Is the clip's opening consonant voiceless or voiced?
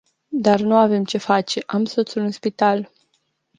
voiced